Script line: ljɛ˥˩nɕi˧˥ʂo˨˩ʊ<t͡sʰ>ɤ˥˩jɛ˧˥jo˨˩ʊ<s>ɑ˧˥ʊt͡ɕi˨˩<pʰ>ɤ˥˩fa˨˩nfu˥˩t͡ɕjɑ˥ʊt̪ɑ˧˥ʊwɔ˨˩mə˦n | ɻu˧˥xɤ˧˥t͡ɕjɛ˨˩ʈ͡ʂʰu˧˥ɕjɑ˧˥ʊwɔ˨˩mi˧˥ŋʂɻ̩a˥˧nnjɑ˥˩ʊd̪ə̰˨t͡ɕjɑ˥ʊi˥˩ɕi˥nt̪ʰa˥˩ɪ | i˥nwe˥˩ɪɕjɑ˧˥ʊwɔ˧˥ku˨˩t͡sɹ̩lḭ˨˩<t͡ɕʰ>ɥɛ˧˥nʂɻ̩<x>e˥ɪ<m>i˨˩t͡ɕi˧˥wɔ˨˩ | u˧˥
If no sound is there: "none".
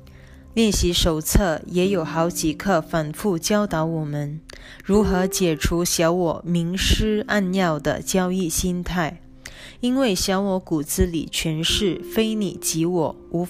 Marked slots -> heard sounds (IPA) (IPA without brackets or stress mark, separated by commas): t͡sʰ, x, kʰ, t͡ɕʰ, f, n